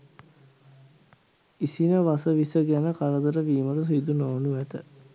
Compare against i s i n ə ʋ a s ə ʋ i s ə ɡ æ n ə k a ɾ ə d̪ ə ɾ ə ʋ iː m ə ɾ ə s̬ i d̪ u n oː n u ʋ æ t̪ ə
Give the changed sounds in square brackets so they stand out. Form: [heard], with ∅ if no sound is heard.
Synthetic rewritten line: i s i n ə ʋ a s ə ʋ i s ə ɡ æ n ə k a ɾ ə d̪ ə ɾ ə ʋ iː m ə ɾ ə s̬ i d̪ u n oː n u ʋ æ t̪ ə